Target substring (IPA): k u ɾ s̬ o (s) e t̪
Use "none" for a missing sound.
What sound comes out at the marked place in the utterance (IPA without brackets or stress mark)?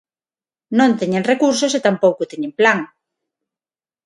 s